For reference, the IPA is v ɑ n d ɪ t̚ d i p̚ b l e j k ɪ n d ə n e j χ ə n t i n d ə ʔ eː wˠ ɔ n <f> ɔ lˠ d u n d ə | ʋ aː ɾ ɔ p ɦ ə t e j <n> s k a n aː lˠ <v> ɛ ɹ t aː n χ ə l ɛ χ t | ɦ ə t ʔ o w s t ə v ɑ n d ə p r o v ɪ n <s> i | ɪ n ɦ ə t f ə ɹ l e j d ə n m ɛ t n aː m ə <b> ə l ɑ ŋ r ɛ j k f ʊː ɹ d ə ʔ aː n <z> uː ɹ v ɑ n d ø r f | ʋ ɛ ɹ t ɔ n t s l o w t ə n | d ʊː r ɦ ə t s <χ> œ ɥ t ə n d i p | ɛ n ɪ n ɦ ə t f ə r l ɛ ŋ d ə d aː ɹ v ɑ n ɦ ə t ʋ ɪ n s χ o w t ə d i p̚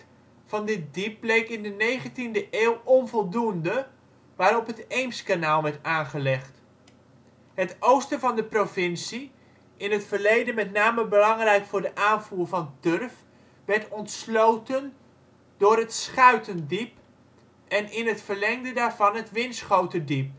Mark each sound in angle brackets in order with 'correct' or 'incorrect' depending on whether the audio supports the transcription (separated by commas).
incorrect, incorrect, incorrect, correct, correct, incorrect, correct